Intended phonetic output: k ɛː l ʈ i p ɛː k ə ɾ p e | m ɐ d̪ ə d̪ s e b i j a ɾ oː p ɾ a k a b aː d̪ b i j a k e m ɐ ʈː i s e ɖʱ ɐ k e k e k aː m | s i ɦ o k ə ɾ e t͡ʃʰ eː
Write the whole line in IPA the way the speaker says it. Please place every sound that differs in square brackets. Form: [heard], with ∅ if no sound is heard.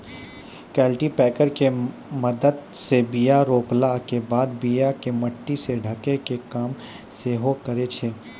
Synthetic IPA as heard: k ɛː l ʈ i p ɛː k ə ɾ [k] e | m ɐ d̪ ə d̪ s e b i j a ɾ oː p [l] a k [e] b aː d̪ b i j a k e m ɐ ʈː i s e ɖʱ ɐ k e k e k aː m | s [e] ɦ o k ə ɾ e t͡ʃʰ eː

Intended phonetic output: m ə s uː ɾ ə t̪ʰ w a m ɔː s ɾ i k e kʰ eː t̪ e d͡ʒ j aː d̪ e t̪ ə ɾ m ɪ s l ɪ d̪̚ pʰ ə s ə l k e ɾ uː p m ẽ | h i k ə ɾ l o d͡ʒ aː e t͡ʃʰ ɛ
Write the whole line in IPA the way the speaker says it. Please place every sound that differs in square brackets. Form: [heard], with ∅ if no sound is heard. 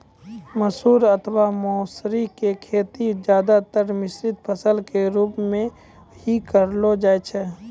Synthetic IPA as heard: m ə s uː ɾ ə t̪ʰ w a m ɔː s ɾ i k e kʰ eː t̪ [i] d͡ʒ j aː d̪ [a] t̪ ə ɾ m ɪ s [ɾ] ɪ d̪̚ pʰ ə s ə l k e ɾ uː p m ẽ | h i k ə ɾ l o d͡ʒ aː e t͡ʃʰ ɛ

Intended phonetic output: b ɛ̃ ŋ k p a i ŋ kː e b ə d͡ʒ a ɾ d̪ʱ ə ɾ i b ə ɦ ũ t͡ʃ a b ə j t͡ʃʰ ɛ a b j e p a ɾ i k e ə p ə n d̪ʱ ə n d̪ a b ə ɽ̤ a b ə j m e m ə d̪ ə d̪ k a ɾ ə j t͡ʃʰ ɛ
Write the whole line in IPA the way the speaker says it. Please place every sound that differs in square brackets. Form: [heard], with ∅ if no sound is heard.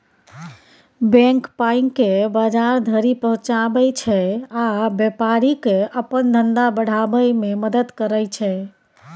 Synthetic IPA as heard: b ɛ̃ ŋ k p a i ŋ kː e b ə d͡ʒ a ɾ d̪ʱ ə ɾ i [p] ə ɦ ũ t͡ʃ a b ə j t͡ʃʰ ɛ a b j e p a ɾ i k e ə p ə n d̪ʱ ə n d̪ a b ə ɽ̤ a b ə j m e m ə d̪ ə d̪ k [ə] ɾ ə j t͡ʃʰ ɛ

